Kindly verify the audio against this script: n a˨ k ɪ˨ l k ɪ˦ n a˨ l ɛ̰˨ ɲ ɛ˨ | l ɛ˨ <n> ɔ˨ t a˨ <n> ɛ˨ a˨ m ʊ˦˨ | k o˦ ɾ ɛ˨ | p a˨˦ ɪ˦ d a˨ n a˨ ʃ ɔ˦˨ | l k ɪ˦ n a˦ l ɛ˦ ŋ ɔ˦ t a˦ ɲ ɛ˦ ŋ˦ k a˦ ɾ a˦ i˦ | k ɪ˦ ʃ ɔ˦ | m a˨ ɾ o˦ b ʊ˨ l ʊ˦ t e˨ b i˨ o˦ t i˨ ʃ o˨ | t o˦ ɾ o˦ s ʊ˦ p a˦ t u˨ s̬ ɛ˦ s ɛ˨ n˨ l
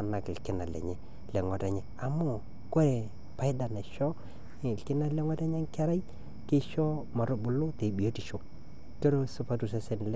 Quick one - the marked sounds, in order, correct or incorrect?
incorrect: ŋ, incorrect: ɲ

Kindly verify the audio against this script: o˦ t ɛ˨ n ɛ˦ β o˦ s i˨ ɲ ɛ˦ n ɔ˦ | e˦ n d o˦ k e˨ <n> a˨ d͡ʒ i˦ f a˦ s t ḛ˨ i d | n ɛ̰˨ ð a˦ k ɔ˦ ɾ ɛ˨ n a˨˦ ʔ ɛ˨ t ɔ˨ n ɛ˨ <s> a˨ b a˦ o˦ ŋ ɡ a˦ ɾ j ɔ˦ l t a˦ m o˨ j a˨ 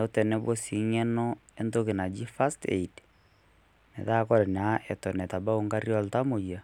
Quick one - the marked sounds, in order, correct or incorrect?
correct, incorrect: t

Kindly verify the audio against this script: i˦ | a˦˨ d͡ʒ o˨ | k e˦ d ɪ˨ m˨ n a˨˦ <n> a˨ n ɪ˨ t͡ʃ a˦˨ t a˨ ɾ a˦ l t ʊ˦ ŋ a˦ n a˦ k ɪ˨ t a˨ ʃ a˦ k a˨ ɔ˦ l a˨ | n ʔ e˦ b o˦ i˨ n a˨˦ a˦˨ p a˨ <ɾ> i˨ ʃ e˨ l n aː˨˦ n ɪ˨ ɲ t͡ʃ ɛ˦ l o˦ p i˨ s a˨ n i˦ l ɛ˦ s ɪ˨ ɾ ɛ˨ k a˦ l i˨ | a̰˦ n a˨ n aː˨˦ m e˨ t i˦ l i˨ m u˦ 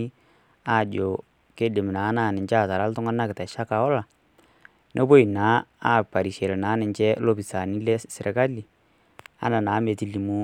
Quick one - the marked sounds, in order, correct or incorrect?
correct, correct

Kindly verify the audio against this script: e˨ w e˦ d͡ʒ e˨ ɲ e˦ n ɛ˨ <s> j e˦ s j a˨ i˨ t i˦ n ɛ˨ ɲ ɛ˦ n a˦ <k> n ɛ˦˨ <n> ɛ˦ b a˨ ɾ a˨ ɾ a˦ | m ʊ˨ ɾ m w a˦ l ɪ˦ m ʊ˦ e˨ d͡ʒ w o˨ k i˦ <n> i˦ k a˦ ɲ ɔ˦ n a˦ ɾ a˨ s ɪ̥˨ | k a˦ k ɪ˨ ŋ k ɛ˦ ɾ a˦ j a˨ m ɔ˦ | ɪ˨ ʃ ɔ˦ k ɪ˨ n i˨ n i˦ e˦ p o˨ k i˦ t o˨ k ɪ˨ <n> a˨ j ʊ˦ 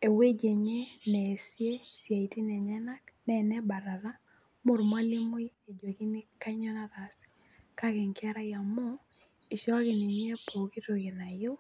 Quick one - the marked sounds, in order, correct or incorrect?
correct, correct, correct, correct, correct

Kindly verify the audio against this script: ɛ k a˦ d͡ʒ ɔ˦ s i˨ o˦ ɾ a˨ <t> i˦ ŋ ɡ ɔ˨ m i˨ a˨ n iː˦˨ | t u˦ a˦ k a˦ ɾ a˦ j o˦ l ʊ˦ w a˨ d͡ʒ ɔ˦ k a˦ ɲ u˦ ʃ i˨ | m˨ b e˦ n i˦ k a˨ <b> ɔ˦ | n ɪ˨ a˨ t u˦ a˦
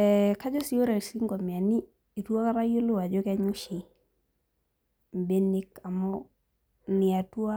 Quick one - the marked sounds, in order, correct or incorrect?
incorrect: s, incorrect: m

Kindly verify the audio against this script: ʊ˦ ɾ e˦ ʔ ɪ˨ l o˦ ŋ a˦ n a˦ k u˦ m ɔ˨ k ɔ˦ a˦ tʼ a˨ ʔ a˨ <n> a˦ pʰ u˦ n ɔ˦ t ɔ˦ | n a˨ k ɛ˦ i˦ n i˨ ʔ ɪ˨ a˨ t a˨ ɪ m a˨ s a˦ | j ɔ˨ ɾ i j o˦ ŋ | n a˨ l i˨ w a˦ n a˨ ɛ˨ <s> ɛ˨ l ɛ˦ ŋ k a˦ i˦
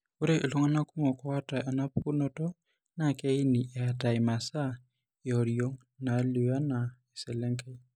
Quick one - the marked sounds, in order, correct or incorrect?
correct, correct

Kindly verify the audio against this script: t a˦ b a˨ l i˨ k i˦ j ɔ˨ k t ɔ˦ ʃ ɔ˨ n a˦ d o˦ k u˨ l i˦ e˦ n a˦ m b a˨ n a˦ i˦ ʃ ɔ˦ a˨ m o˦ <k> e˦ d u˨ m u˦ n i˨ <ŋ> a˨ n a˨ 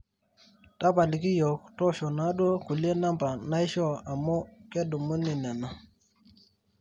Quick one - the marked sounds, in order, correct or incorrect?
correct, incorrect: n

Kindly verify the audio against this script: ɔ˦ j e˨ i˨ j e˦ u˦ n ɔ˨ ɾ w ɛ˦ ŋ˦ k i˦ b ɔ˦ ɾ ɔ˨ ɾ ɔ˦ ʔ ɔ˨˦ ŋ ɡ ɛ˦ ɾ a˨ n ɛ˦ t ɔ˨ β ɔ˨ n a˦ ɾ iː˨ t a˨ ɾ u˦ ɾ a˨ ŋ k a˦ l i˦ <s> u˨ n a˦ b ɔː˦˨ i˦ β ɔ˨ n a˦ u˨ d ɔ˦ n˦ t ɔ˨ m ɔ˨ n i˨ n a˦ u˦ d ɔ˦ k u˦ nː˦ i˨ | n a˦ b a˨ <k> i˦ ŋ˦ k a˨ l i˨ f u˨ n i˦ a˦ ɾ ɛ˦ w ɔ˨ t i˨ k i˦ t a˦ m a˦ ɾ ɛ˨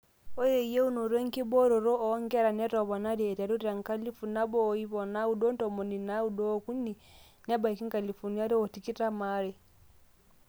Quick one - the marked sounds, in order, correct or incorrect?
incorrect: f, correct

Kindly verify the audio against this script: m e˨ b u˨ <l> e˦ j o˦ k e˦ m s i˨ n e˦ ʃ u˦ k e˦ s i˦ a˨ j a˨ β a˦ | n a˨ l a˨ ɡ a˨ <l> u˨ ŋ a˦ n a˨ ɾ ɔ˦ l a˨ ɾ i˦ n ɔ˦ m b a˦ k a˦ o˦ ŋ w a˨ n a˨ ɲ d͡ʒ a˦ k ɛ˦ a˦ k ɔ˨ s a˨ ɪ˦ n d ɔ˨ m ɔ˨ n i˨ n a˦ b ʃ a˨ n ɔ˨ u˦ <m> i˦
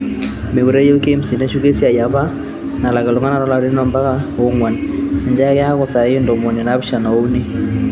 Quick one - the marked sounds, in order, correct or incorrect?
incorrect: ɾ, correct, incorrect: n

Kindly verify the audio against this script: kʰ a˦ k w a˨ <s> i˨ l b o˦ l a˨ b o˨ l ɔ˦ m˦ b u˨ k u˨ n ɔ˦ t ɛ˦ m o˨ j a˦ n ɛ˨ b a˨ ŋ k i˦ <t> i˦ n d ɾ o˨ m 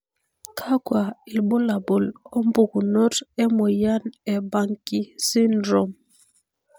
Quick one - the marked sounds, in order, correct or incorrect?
incorrect: none, incorrect: s

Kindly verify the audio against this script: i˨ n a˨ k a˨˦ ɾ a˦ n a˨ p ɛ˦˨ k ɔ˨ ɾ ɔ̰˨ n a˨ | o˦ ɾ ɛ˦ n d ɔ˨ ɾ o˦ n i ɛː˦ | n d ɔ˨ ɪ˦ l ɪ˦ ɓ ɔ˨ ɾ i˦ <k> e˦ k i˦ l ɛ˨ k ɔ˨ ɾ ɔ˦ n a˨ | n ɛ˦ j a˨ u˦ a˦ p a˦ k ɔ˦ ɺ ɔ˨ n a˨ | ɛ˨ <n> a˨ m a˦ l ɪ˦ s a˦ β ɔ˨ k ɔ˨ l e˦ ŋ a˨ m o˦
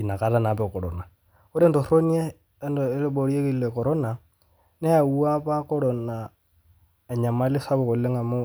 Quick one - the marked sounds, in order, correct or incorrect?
incorrect: none, incorrect: ɲ

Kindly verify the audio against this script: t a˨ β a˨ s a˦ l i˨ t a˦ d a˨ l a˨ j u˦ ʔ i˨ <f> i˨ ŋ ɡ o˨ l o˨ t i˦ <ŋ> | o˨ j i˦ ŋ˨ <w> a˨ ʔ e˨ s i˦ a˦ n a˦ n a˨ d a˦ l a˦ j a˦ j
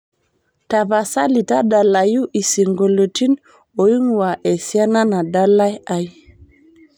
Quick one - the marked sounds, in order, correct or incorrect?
incorrect: s, incorrect: n, correct

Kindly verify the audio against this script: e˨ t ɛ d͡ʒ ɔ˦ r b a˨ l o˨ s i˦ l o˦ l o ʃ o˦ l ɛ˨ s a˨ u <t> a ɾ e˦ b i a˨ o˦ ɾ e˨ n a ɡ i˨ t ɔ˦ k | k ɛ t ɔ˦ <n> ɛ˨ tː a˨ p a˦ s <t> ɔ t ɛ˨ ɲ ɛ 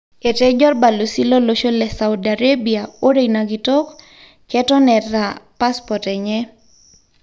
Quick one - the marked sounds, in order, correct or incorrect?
incorrect: d, correct, incorrect: p

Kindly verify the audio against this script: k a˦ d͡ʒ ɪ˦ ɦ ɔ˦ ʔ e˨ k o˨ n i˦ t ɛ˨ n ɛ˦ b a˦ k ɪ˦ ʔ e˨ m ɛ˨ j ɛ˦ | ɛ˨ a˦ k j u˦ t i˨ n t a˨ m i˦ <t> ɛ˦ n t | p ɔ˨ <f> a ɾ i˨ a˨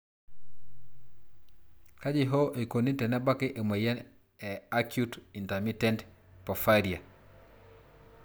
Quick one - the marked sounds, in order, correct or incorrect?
correct, correct

